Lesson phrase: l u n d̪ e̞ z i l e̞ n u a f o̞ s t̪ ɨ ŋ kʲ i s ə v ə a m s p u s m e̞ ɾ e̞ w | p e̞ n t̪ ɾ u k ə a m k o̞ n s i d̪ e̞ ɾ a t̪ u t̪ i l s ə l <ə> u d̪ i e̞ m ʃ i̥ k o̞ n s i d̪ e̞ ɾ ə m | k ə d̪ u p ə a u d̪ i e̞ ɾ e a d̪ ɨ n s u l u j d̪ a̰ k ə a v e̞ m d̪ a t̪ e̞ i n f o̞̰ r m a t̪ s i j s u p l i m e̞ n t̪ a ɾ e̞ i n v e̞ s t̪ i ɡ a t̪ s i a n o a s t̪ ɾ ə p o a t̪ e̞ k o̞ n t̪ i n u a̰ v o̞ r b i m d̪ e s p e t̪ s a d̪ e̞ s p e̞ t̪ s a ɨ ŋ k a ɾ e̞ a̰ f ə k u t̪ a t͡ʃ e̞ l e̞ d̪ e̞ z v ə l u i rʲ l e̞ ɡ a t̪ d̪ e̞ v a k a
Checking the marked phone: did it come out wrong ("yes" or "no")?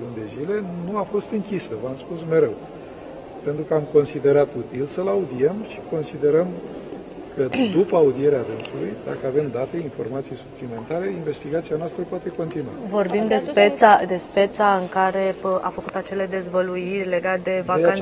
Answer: yes